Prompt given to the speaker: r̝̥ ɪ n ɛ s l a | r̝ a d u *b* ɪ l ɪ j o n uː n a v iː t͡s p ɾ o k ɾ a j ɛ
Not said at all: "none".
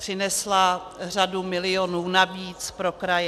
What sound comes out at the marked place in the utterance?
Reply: m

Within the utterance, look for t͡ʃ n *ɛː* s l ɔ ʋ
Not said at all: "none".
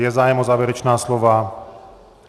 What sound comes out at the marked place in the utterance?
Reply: aː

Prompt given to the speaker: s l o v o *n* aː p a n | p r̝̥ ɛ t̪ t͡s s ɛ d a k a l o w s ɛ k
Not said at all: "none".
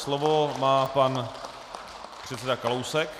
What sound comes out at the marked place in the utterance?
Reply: m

